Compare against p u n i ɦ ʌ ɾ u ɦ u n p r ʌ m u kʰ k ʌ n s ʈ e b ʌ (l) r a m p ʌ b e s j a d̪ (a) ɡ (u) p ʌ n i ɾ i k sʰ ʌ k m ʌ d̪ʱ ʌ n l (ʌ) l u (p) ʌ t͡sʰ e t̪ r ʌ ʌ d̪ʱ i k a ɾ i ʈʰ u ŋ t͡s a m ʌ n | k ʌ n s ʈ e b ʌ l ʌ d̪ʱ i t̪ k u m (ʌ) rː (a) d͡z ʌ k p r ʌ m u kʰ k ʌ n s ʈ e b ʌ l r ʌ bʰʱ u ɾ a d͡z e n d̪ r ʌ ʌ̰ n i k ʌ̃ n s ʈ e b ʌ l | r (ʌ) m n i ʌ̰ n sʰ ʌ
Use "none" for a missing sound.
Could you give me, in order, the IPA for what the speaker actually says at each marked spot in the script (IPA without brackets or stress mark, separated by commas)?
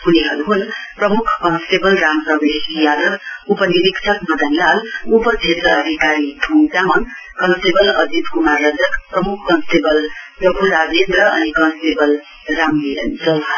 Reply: l, ʌ, u, a, p, a, ʌ, a